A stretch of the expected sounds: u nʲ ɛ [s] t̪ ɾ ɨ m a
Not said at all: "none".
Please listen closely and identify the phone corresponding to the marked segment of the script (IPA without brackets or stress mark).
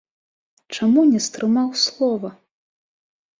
s